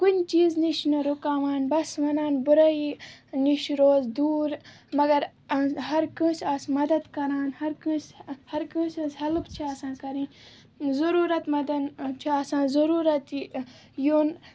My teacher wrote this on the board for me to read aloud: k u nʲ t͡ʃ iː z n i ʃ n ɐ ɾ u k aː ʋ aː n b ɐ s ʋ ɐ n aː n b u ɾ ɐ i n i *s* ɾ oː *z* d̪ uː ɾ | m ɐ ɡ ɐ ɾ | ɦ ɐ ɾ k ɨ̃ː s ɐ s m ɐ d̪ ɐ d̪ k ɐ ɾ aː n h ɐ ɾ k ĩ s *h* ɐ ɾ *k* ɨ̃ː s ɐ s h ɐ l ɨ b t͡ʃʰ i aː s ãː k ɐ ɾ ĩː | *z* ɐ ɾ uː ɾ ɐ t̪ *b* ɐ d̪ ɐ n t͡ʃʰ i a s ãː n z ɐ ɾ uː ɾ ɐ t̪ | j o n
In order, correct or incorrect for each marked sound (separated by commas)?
incorrect, correct, correct, correct, correct, incorrect